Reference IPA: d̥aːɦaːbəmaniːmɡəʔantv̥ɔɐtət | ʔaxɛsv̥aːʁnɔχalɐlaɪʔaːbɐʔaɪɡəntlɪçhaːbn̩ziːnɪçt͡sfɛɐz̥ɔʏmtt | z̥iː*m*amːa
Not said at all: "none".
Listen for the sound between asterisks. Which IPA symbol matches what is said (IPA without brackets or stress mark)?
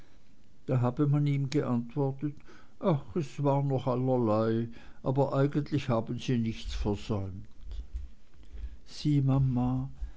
m